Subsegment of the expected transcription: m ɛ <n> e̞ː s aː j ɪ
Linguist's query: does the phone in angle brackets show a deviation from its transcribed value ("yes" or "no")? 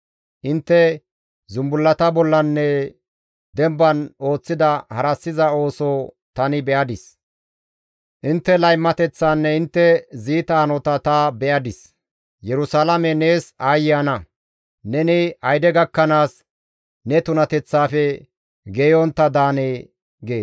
no